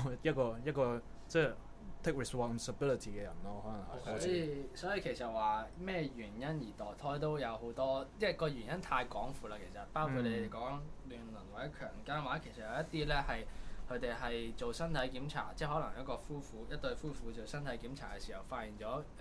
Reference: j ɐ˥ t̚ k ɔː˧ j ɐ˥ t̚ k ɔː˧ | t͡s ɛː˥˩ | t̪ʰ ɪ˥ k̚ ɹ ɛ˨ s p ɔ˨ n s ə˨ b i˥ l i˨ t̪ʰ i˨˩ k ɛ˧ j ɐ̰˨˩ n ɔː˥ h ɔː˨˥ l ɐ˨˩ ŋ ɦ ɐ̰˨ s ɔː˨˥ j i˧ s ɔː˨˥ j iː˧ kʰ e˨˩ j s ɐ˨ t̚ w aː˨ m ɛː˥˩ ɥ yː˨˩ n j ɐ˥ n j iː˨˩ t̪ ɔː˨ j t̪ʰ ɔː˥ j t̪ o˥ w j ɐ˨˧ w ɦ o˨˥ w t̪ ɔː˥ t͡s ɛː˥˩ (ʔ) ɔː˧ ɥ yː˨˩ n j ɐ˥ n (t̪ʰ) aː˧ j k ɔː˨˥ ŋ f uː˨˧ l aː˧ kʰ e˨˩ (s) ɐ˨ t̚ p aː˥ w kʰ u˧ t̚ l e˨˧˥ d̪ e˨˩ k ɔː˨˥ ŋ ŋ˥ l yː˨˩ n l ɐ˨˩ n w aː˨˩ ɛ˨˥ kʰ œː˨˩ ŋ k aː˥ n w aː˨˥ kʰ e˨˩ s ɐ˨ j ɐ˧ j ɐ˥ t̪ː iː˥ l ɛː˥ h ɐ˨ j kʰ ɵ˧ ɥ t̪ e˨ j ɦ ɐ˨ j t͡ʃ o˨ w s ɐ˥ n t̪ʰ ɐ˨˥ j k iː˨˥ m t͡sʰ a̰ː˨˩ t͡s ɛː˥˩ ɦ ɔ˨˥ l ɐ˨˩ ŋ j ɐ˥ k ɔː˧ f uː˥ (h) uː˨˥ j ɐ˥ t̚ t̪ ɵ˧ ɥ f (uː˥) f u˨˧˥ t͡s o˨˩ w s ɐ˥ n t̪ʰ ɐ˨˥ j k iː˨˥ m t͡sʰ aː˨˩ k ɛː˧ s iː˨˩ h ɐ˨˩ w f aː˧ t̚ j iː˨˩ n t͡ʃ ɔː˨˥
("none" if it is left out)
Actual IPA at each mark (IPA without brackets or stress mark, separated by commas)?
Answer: k, t̪ʰ, s, f, uː˥